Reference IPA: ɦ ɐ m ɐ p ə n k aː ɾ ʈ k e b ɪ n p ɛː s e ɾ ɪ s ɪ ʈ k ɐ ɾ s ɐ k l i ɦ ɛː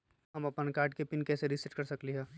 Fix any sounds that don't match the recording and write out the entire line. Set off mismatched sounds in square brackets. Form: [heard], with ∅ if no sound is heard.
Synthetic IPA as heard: ɦ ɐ m ɐ p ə n k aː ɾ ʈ k e [p] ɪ n [k] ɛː s e ɾ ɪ s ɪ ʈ k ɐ ɾ s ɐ k l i ɦ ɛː